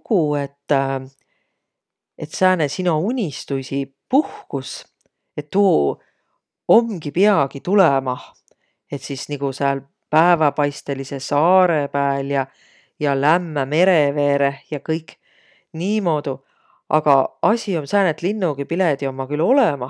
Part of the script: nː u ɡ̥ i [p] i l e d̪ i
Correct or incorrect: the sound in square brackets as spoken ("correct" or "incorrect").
correct